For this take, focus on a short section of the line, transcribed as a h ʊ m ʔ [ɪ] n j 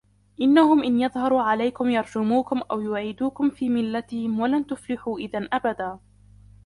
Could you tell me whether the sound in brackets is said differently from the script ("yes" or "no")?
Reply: no